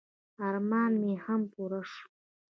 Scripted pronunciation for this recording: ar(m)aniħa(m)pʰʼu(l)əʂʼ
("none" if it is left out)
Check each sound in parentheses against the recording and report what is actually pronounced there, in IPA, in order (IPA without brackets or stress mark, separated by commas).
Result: m, m, ɾ